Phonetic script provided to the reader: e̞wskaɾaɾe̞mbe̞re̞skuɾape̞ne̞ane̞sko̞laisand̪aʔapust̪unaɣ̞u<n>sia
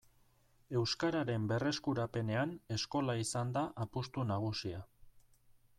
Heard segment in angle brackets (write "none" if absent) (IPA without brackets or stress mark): none